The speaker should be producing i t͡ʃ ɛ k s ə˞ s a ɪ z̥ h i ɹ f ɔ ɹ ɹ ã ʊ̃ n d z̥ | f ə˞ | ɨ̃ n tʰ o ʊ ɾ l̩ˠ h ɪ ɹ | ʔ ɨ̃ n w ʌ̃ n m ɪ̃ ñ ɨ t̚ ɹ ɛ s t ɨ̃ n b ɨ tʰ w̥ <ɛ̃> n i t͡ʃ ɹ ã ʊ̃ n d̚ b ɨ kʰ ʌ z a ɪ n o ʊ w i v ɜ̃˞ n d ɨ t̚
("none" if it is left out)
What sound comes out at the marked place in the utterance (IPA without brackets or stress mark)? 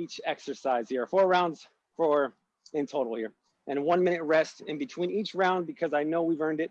ĩ